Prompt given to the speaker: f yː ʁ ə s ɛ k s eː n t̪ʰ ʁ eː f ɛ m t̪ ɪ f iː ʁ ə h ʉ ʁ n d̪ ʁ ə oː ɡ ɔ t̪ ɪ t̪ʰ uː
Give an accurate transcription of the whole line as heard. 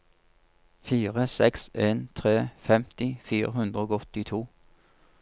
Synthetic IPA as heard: f iː ʁ ə s ɛ k s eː n t̪ʰ ʁ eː f ɛ m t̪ ɪ f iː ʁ ə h ʉ n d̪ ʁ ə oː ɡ ɔ t̪ ɪ t̪ʰ uː